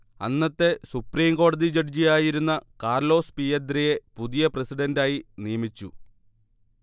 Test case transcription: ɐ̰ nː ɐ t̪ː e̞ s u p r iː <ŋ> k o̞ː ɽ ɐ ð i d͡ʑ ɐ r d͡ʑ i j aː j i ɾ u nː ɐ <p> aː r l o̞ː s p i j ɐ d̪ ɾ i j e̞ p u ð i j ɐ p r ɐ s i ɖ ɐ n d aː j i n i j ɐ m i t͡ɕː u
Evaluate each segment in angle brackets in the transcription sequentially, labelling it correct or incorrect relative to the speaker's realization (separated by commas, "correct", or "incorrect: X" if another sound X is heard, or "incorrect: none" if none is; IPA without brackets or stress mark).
incorrect: m, incorrect: k